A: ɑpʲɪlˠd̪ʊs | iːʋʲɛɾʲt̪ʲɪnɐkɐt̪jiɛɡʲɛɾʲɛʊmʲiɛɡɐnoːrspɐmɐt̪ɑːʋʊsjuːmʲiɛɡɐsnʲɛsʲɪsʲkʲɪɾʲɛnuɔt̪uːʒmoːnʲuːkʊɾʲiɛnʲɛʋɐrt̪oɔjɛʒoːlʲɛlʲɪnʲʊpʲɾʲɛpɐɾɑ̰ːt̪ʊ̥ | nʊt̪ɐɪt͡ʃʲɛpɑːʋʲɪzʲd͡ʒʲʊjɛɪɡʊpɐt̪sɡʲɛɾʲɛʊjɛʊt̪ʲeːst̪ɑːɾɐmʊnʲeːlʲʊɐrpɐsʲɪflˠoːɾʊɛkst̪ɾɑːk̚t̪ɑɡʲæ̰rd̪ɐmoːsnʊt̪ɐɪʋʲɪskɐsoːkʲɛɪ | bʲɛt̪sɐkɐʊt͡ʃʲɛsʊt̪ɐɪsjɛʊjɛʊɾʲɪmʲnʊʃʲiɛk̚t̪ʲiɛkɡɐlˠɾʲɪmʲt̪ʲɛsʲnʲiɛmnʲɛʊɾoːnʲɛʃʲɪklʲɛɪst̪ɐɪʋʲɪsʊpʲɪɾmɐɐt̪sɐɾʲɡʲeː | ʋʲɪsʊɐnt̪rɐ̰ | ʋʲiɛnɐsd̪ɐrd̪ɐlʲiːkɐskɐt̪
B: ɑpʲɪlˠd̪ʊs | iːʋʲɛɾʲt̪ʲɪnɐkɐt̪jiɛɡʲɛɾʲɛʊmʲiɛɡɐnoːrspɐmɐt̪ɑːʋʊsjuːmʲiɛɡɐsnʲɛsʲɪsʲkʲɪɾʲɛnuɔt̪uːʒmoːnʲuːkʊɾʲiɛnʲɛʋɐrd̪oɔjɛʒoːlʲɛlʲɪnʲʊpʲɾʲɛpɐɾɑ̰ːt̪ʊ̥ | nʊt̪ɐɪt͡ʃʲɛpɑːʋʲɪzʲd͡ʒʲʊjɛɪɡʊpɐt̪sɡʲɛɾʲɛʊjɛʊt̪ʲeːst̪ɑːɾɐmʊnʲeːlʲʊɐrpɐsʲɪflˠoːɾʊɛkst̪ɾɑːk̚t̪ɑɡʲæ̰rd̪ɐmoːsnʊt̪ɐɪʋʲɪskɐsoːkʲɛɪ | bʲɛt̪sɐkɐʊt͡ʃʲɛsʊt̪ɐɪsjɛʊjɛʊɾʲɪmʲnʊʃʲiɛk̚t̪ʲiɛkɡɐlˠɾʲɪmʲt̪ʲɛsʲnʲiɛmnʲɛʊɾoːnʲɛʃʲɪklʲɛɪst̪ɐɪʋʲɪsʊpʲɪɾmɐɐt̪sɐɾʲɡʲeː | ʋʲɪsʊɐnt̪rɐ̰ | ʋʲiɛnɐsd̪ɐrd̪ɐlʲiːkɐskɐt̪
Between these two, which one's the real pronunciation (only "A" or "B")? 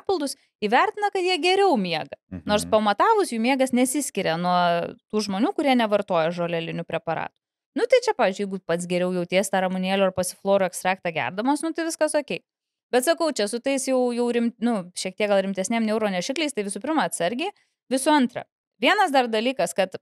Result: A